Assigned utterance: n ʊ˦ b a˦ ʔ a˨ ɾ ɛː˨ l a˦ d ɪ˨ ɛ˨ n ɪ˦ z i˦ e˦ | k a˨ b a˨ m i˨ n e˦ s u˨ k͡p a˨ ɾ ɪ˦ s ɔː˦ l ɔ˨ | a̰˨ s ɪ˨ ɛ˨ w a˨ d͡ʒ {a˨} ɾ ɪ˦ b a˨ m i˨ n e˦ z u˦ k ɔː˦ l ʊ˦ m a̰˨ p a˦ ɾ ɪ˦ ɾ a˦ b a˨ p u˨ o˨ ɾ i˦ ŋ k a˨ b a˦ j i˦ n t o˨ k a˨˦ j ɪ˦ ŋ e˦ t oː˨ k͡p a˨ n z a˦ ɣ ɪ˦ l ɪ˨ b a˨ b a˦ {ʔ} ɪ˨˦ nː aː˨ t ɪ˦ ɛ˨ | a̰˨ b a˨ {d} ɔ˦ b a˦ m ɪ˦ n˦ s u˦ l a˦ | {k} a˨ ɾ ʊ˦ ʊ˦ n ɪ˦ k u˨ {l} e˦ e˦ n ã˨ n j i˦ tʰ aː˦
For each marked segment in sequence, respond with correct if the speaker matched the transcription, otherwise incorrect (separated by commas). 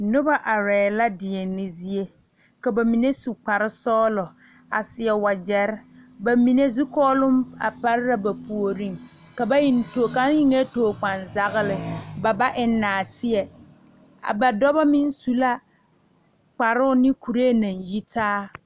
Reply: incorrect, correct, correct, incorrect, incorrect